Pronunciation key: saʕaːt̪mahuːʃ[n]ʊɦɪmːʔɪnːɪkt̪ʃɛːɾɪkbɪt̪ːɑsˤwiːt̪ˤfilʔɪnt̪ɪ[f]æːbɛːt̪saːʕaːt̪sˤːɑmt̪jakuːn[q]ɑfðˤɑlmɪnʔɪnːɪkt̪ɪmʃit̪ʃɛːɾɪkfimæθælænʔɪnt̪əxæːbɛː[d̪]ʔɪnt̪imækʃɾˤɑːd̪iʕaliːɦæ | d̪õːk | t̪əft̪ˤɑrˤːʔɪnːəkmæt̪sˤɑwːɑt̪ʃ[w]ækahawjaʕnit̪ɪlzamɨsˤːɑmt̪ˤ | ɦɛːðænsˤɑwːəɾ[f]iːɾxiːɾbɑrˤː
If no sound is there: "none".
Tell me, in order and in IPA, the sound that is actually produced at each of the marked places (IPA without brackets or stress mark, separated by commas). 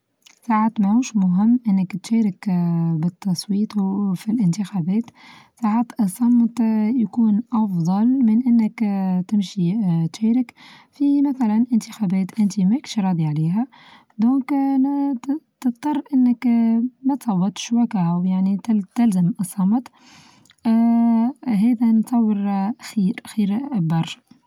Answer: m, x, ʔ, t̪, w, x